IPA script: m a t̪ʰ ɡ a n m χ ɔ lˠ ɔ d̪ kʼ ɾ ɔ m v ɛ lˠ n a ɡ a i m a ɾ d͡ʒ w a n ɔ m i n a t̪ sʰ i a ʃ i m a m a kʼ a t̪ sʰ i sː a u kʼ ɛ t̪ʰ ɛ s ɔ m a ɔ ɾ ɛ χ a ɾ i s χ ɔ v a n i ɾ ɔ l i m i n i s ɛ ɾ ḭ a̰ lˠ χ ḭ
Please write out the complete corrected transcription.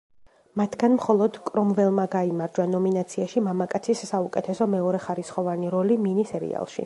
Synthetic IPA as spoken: m a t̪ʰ ɡ a n m χ ɔ lˠ ɔ d̪ kʼ ɾ ɔ m v ɛ lˠ m a ɡ a i m a ɾ d͡ʒ w a n ɔ m i n a t̪ sʰ i a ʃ i m a m a kʼ a t̪ sʰ i sː a u kʼ ɛ t̪ʰ ɛ s ɔ m ɛ ɔ ɾ ɛ χ a ɾ i s χ ɔ v a n i ɾ ɔ l i m i n i s ɛ ɾ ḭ a̰ lˠ ʃ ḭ